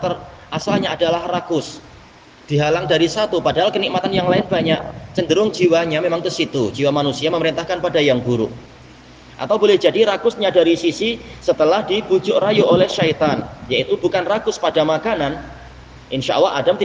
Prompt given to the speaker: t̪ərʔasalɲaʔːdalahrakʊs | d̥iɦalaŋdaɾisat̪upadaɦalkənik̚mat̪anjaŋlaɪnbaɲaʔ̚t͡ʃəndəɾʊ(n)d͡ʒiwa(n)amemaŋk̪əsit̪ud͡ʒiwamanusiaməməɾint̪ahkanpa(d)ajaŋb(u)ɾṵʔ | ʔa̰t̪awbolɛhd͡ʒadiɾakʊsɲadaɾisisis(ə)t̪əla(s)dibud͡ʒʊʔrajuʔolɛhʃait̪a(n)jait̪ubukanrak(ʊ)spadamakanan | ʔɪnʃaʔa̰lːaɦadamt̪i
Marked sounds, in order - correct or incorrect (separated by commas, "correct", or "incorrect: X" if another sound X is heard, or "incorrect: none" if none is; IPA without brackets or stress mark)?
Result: incorrect: ŋ, incorrect: ɲ, correct, correct, correct, incorrect: h, correct, correct